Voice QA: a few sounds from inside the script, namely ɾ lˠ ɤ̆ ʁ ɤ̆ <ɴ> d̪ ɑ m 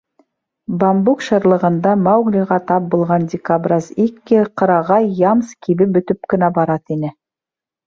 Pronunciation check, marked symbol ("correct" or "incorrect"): incorrect